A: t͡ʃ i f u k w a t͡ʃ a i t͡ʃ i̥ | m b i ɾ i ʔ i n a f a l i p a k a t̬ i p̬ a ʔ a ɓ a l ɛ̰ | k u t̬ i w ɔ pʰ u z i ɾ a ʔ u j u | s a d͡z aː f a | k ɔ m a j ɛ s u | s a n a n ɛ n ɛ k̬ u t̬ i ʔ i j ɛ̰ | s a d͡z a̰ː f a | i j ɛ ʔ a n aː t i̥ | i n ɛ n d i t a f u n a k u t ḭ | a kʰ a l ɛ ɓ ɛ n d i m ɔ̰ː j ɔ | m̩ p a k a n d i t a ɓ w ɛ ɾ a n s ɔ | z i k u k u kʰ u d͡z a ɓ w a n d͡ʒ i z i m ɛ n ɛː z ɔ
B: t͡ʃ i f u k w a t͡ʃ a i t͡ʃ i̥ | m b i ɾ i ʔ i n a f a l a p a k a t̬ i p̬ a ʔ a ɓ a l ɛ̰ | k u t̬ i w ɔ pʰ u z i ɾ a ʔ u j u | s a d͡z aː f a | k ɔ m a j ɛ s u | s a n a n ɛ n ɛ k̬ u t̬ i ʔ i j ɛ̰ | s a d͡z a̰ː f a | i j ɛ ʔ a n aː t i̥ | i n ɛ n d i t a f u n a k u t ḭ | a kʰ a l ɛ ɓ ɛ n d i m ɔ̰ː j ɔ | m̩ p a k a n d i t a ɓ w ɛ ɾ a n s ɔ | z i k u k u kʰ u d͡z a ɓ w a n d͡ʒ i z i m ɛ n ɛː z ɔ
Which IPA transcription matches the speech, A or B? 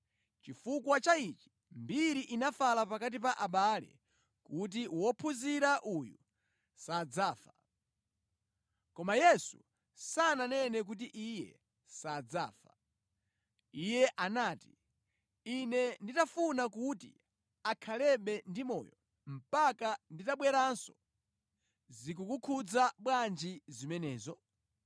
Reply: B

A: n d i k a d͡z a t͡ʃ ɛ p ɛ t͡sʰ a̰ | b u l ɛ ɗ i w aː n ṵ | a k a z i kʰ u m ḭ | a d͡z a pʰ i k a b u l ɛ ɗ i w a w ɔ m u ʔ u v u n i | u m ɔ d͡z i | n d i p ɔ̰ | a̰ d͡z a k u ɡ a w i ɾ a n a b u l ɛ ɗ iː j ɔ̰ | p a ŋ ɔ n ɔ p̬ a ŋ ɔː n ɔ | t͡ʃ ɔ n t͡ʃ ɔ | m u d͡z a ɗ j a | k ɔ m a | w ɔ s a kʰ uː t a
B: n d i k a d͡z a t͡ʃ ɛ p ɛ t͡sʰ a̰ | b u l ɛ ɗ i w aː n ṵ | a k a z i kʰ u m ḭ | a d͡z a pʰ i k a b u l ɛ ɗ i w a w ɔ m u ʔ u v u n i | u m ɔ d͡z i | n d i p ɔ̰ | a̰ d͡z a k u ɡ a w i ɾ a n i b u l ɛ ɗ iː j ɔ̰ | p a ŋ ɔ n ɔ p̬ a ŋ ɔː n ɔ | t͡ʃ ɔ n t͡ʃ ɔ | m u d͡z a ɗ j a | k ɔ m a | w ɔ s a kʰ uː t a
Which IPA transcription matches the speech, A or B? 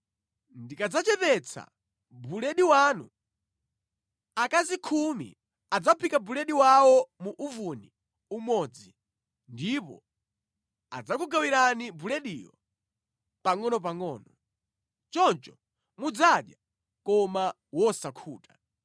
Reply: B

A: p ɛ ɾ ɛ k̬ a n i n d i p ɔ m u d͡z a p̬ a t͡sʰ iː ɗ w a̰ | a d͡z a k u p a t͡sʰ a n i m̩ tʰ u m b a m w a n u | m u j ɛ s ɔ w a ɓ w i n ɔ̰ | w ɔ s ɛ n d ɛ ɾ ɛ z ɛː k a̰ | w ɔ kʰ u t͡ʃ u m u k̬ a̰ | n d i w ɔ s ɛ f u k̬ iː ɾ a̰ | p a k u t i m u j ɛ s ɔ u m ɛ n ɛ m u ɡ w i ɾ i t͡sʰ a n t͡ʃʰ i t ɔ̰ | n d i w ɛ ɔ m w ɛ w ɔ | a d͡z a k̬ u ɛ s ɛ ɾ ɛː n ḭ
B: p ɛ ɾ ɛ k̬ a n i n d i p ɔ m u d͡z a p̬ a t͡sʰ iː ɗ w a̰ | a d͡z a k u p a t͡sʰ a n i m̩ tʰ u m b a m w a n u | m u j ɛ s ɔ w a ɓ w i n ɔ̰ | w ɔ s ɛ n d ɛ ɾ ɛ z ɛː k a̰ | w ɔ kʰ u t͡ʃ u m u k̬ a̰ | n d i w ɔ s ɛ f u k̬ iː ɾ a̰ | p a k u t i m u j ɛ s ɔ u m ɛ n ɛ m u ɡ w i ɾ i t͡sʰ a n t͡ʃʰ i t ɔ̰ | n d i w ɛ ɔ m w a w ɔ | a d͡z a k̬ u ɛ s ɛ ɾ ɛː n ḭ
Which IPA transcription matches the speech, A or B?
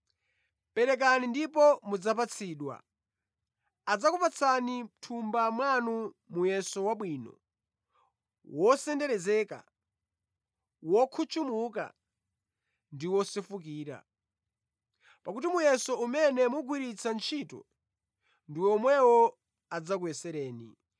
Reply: A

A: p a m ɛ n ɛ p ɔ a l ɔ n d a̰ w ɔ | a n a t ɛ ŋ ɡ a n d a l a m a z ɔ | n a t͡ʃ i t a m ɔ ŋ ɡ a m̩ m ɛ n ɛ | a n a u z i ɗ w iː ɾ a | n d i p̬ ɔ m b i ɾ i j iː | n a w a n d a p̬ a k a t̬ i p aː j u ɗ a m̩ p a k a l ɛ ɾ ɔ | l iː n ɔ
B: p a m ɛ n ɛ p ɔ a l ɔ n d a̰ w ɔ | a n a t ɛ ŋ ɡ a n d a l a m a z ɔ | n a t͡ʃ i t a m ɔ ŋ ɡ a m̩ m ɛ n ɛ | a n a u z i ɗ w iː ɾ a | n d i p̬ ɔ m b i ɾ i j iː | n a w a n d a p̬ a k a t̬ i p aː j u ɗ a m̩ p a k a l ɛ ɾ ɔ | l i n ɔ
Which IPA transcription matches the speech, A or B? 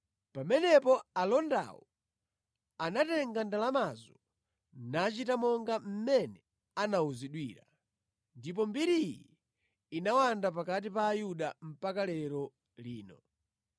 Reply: A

